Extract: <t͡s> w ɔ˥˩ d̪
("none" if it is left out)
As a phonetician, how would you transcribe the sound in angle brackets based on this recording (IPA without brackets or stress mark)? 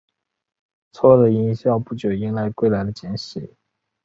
t͡sʰ